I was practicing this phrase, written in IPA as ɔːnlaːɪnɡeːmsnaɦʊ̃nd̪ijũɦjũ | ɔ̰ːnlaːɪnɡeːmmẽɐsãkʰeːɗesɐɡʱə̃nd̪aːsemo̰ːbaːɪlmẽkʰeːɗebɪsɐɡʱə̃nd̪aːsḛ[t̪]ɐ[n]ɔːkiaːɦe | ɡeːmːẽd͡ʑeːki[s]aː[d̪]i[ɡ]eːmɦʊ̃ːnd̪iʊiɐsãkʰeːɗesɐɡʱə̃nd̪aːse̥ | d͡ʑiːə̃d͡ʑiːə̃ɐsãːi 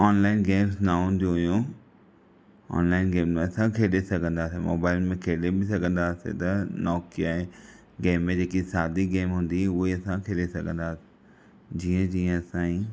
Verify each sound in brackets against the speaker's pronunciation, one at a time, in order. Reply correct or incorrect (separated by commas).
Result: correct, correct, correct, correct, correct